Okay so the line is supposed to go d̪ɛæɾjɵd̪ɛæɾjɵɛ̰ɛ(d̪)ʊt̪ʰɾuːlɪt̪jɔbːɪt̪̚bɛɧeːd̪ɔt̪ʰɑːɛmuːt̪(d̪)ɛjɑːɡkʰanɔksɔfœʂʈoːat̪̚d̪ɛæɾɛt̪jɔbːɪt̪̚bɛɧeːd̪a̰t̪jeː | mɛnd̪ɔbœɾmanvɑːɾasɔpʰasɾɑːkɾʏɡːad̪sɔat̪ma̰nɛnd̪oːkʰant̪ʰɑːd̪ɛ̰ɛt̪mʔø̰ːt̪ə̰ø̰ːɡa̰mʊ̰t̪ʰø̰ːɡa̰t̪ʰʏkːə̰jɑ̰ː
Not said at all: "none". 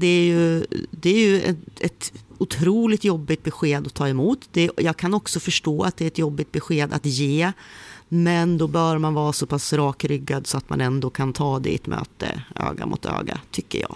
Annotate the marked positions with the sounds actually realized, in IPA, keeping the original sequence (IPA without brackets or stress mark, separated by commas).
t̪, d̪